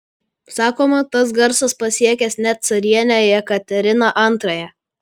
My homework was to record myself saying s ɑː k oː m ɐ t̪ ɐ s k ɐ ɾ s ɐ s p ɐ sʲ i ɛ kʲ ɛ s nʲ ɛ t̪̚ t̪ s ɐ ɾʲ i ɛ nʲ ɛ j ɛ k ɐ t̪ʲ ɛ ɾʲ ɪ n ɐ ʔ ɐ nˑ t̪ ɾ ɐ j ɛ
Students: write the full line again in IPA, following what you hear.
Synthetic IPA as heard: s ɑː k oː m ɐ t̪ ɐ s ɡ ɐ ɾ s ɐ s p ɐ sʲ i ɛ kʲ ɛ s nʲ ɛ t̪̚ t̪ s ɐ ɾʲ i ɛ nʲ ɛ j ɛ k ɐ t̪ʲ ɛ ɾʲ ɪ n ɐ ʔ ɐ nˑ t̪ ɾ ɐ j ɛ